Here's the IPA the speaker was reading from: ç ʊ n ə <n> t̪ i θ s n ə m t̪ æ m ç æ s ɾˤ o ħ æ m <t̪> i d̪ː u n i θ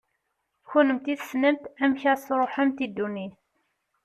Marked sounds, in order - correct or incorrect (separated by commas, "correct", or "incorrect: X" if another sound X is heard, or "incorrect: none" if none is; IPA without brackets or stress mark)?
incorrect: m, correct